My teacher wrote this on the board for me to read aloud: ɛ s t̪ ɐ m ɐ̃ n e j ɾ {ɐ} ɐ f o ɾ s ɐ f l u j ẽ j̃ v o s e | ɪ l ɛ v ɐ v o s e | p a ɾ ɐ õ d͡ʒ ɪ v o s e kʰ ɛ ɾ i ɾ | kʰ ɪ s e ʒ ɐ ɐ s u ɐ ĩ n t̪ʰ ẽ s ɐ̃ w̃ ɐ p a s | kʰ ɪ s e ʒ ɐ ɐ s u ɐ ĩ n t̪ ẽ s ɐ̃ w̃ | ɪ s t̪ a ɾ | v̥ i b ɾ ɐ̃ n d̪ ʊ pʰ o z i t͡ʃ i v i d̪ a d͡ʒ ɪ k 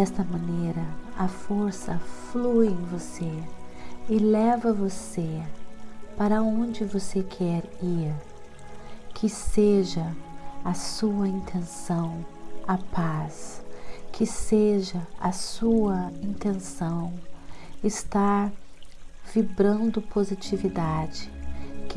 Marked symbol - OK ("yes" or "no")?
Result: yes